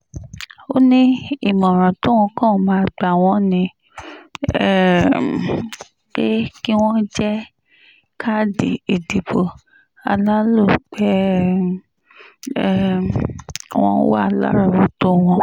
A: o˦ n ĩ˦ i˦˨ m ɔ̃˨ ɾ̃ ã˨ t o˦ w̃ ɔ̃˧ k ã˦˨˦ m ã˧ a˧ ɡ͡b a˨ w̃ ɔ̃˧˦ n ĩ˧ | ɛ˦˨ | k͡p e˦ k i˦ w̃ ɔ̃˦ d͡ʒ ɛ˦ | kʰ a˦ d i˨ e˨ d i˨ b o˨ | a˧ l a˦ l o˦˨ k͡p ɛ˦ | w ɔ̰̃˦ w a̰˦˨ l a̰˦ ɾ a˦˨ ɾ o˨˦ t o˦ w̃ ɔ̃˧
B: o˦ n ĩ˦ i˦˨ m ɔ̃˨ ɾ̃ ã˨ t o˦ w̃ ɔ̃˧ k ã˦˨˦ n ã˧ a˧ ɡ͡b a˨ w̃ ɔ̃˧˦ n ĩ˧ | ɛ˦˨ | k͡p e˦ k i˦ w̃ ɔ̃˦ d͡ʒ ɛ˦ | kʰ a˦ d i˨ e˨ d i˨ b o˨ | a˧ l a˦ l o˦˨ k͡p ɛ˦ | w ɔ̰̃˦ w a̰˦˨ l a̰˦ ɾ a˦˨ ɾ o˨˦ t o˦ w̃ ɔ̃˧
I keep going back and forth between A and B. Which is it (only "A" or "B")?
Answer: A